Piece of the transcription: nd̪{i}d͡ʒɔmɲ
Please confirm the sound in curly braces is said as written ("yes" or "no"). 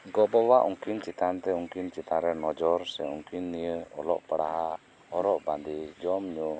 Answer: yes